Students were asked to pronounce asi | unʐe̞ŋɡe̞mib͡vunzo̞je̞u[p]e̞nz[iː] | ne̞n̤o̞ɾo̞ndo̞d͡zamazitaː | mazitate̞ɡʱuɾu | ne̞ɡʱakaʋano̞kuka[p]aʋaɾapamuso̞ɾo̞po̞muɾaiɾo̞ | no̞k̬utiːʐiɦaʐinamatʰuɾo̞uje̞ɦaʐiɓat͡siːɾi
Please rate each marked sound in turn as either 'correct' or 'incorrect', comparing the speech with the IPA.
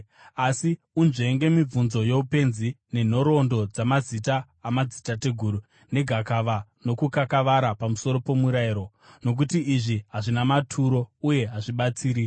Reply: correct, incorrect: i, incorrect: k

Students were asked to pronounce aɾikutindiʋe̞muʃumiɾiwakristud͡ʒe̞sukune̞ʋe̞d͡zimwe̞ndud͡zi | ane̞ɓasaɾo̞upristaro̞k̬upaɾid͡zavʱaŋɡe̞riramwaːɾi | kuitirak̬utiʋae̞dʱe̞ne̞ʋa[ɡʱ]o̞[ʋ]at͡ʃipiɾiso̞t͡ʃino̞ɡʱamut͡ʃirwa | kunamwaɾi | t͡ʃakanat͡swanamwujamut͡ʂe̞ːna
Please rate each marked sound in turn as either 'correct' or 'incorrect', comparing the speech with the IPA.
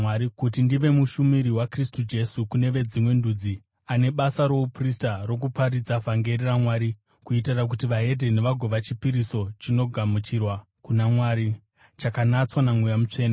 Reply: correct, correct

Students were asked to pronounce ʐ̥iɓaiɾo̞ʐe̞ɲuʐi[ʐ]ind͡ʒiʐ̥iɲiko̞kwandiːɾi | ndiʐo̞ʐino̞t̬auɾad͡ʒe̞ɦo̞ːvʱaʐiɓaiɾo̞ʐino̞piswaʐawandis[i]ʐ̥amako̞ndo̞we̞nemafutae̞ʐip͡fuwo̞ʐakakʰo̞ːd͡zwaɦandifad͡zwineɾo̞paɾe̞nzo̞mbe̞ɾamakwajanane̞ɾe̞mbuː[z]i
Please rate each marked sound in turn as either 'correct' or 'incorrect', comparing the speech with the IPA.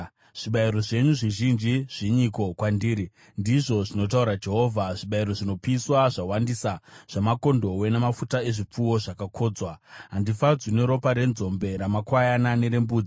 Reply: incorrect: ʒ, incorrect: a, incorrect: d͡z

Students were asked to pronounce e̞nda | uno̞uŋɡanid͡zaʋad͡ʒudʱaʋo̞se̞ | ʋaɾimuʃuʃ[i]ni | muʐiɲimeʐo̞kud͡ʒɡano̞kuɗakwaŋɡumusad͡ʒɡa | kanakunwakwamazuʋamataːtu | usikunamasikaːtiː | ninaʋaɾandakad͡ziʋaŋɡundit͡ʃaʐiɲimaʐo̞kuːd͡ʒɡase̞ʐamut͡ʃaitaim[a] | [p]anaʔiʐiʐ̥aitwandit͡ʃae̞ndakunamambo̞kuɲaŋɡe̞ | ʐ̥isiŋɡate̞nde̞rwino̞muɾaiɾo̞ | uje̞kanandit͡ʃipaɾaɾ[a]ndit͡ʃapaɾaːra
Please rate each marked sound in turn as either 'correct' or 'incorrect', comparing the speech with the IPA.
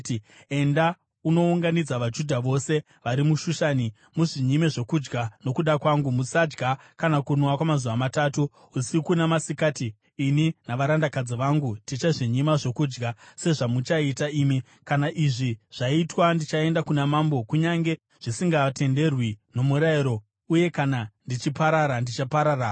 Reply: incorrect: a, incorrect: i, incorrect: k, correct

